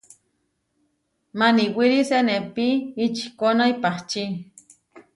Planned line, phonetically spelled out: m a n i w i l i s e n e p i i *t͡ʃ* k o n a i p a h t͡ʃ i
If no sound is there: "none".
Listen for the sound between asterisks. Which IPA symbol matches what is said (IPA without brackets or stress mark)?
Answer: t͡ʃ